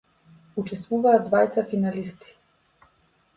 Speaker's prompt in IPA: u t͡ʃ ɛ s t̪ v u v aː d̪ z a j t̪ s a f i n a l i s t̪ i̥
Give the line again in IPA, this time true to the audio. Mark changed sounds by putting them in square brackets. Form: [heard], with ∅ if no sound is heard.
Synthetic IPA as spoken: u t͡ʃ ɛ s t̪ v u v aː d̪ [v] a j t̪ s a f i n a l i s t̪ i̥